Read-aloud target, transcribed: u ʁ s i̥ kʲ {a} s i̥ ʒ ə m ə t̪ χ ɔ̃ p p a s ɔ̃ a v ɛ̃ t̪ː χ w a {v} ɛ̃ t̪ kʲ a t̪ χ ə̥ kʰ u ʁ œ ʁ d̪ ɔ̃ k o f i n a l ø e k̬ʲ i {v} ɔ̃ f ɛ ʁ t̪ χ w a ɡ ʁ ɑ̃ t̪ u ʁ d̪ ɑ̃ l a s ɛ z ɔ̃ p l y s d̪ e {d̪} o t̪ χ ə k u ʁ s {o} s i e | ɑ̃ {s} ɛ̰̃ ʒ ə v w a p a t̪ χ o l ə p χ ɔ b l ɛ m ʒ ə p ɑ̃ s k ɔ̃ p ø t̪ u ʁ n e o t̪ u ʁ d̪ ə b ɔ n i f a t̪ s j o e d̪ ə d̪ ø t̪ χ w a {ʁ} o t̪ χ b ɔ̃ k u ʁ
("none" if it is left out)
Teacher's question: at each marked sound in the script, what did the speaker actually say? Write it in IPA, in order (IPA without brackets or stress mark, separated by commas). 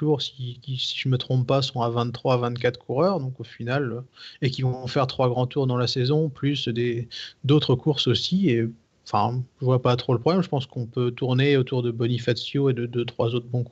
i, v, v, d̪, o, f, z